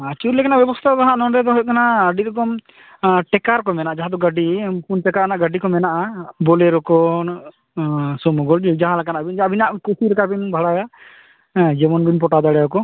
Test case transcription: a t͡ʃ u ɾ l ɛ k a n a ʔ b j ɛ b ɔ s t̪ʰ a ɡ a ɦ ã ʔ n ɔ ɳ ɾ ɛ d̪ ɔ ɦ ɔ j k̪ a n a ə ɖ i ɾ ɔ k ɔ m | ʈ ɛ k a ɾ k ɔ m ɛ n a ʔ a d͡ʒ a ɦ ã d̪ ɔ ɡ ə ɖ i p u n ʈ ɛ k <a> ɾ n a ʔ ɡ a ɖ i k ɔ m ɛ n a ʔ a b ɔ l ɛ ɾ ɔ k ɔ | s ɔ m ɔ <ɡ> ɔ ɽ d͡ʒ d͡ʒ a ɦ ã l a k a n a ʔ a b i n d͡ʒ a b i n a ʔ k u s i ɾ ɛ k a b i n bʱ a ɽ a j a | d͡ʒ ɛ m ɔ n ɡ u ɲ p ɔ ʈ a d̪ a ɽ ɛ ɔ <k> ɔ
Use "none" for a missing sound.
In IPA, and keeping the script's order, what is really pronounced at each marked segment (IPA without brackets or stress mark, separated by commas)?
a, ɡ, k